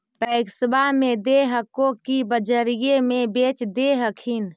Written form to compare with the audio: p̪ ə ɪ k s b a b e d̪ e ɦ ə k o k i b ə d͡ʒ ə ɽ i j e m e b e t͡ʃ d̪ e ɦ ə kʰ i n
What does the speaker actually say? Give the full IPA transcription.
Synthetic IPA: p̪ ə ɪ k s b a m e d̪ e ɦ ə k o k i b ə d͡ʒ ə ɾ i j e m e b e t͡ʃ d̪ e ɦ ə kʰ i n